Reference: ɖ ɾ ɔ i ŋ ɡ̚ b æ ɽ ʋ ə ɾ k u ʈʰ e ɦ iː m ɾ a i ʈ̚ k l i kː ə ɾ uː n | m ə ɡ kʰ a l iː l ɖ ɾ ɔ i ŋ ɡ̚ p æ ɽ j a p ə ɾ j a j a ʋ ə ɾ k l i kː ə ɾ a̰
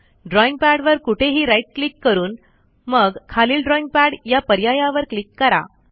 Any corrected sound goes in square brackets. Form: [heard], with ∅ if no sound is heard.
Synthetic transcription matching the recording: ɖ ɾ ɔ i ŋ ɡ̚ [p] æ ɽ ʋ ə ɾ k u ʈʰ e ɦ iː [∅] ɾ a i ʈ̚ k l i kː ə ɾ uː n | m ə ɡ kʰ a l iː l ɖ ɾ ɔ i ŋ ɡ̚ p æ ɽ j a p ə ɾ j a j a ʋ ə ɾ k l i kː ə ɾ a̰